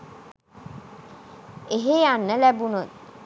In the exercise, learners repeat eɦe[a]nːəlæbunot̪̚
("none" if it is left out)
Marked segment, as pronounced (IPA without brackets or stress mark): a